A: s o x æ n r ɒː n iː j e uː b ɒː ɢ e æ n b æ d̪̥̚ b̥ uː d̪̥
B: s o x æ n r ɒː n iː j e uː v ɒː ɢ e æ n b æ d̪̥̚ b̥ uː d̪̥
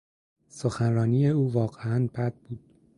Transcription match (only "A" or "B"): B